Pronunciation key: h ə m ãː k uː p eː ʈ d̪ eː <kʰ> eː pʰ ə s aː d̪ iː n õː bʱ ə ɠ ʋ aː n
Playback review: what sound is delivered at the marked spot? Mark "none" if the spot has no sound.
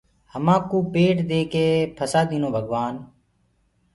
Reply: k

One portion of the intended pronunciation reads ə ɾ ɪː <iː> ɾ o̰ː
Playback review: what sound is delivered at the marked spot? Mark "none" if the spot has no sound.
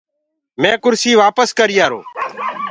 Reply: aː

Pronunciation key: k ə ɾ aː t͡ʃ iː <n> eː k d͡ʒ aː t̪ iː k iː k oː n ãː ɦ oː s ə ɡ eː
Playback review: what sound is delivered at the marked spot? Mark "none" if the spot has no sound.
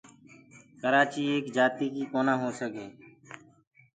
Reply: none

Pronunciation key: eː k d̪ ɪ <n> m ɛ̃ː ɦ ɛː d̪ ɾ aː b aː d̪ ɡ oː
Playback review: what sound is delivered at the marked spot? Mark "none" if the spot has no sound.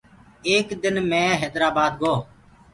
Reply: n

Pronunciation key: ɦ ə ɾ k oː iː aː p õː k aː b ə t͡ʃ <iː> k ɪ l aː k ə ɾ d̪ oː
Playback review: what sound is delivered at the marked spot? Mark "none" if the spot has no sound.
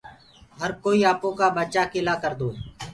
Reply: aː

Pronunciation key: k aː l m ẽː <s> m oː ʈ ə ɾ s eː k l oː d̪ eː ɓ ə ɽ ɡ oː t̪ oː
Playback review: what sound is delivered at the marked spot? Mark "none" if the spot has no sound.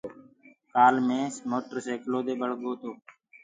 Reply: s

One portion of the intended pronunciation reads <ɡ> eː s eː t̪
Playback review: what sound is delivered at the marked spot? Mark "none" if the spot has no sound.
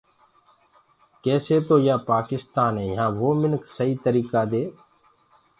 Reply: k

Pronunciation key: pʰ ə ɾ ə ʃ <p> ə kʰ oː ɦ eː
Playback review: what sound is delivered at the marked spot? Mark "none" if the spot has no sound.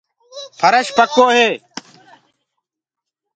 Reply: p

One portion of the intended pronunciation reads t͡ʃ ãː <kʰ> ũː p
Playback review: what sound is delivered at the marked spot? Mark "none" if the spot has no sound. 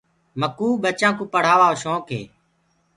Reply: k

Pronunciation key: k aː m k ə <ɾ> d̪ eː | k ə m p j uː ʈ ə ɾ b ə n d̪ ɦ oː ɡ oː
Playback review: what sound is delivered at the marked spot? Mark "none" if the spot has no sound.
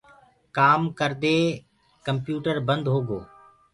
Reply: ɾ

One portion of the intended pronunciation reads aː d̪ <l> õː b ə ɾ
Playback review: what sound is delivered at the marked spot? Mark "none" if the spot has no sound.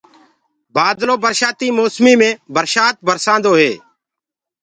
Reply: l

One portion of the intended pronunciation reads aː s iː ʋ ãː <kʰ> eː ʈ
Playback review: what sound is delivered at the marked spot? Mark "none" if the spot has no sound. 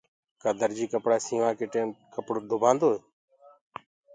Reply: k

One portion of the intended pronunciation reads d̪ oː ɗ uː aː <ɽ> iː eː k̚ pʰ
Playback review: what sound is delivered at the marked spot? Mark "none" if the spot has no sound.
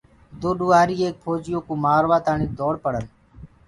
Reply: ɾ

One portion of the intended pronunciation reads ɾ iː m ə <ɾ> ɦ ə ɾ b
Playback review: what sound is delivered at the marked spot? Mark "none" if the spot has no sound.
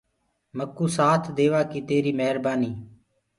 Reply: none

